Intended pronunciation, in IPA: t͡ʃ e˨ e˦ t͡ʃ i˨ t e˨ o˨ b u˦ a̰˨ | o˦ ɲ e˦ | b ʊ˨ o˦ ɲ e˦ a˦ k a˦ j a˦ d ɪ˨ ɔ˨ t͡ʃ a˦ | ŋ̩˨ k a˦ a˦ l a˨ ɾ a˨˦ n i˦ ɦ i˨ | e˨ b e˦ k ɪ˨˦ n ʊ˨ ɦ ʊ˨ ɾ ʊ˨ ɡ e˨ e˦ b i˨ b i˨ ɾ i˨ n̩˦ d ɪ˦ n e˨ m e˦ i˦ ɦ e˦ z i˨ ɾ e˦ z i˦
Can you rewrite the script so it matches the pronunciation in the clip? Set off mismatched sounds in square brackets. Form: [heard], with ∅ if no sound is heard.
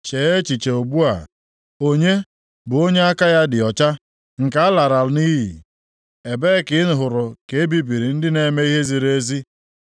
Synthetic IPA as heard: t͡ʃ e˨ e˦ t͡ʃ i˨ [t͡ʃ] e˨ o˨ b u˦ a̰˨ | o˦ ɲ e˦ | b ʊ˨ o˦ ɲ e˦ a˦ k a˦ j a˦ d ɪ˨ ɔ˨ t͡ʃ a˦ | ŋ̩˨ k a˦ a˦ l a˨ ɾ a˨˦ n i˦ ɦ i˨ | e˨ b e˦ k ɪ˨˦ n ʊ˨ ɦ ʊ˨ ɾ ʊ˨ [k] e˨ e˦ b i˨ b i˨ ɾ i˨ n̩˦ d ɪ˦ n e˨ m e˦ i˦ ɦ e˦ z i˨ ɾ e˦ z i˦